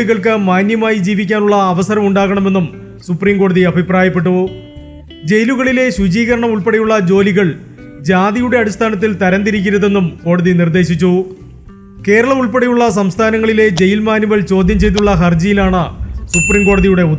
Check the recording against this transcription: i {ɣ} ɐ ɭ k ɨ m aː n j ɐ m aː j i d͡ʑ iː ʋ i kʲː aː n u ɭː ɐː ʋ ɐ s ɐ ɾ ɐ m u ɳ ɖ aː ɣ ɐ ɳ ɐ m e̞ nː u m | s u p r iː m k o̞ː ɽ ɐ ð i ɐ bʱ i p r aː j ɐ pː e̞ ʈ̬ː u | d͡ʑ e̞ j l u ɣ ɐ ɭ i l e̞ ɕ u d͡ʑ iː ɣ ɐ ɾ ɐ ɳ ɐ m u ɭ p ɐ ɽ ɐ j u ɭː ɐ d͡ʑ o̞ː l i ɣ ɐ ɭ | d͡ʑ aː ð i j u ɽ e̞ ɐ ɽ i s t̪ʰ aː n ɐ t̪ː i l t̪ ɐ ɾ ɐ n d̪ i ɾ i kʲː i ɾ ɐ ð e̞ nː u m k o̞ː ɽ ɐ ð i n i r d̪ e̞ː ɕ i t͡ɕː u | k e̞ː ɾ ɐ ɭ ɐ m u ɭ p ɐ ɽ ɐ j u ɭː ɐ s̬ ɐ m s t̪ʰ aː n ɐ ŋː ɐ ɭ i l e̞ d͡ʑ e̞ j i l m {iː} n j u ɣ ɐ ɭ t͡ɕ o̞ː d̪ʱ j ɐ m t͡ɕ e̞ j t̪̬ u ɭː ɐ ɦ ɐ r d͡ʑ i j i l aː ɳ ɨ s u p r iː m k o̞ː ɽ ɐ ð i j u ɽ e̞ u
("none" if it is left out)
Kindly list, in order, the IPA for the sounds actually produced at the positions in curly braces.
ɣ, aː

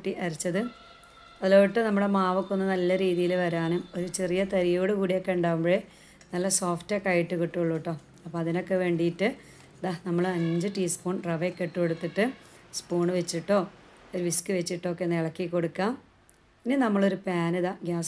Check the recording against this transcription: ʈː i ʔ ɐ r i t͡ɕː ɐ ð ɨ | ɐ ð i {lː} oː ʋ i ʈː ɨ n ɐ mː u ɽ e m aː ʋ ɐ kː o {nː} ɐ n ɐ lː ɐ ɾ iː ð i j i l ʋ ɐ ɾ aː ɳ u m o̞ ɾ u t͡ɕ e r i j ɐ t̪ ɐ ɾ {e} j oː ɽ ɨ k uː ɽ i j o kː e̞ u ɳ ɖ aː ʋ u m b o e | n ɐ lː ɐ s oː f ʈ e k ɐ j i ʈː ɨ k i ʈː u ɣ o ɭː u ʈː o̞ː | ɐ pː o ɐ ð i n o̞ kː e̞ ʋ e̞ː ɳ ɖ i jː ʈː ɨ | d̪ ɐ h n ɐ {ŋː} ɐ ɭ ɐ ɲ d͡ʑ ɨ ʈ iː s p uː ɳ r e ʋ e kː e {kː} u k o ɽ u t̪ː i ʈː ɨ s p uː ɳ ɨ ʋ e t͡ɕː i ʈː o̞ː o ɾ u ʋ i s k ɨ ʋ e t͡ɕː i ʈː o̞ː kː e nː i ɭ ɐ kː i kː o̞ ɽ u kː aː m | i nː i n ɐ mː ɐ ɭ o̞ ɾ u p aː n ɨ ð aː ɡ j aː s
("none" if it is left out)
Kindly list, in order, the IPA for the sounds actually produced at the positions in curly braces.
l, nː, i, mː, ʈː

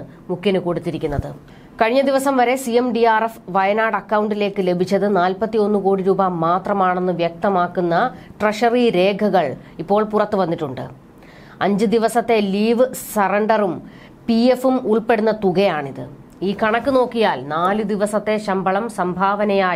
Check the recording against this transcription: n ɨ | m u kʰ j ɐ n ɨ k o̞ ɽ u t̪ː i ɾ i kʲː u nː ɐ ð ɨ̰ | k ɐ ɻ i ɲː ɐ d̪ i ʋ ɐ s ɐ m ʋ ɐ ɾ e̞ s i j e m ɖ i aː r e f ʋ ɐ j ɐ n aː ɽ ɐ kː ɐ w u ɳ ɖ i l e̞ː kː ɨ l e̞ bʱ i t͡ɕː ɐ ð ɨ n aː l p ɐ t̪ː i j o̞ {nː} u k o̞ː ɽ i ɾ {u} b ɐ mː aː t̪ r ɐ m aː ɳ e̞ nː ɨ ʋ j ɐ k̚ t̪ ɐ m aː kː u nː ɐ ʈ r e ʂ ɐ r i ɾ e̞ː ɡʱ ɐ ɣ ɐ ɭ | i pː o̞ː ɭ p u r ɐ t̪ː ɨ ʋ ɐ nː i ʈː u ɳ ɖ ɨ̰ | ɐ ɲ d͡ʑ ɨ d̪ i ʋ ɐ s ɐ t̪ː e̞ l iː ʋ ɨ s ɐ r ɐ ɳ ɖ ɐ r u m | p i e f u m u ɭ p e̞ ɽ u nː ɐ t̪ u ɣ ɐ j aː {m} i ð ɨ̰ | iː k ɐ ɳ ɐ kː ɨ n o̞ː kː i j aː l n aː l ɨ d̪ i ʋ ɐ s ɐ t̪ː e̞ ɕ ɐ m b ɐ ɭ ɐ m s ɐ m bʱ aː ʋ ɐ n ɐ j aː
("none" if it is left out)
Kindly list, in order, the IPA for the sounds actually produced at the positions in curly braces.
nː, uː, ɳ

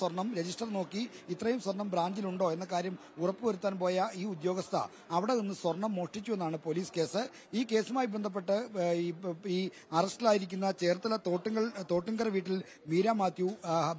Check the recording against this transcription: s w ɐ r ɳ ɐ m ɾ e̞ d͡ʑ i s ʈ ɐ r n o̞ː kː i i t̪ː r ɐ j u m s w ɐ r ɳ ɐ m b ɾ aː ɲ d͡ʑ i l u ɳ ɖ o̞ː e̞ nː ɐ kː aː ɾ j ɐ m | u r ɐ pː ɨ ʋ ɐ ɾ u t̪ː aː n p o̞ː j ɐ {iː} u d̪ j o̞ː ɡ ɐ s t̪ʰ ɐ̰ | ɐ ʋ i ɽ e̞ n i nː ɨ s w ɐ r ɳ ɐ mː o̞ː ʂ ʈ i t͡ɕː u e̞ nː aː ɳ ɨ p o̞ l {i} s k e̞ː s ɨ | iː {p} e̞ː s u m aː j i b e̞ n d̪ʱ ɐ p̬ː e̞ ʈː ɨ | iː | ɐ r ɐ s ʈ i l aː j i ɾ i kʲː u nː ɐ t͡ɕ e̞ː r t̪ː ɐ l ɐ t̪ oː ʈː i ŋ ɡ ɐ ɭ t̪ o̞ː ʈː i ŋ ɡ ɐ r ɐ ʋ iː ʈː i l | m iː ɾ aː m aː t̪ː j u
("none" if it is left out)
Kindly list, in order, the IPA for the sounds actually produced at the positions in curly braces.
iː, iː, k

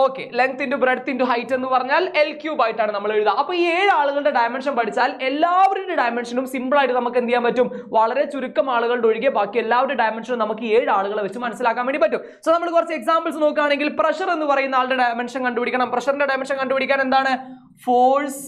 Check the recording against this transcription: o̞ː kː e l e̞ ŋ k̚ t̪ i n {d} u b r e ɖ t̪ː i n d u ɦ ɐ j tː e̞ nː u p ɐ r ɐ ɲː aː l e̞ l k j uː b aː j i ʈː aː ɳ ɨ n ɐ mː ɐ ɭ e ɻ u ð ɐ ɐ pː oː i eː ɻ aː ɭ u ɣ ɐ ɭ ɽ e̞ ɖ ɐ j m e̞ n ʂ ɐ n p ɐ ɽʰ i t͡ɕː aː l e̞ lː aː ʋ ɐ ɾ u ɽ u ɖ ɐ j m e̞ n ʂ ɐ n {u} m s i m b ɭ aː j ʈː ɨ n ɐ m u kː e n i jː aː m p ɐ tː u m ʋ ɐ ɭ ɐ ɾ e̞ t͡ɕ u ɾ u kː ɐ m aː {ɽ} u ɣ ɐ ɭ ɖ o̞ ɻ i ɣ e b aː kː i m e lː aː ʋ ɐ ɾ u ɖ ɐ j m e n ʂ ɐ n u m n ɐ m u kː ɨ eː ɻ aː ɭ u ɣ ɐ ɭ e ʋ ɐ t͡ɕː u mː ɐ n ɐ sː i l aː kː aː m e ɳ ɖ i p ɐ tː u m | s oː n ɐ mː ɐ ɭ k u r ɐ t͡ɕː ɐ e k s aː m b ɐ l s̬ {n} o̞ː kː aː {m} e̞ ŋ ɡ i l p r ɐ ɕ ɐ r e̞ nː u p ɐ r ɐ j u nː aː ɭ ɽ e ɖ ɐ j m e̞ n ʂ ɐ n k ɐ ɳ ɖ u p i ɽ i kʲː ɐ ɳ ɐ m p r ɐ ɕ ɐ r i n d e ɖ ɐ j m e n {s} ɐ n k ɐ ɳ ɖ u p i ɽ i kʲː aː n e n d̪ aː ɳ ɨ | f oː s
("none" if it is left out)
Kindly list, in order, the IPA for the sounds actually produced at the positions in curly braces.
d, u, ɭ, n, ɳ, ʂ

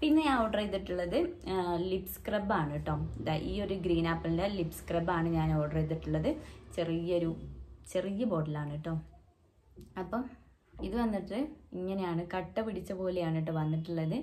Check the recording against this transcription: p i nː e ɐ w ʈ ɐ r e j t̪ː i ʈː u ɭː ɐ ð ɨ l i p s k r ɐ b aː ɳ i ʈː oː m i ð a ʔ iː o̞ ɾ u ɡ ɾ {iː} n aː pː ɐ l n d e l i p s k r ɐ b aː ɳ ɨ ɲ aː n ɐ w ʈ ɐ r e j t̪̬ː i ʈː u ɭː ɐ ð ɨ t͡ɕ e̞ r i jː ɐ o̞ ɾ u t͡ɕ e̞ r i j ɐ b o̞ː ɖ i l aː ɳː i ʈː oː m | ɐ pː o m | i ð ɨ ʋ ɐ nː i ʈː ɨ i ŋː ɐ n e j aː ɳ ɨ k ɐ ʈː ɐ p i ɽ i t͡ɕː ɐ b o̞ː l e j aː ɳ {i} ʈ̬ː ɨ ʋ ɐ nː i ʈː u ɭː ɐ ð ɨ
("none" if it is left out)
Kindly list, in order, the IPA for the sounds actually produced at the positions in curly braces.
iː, i

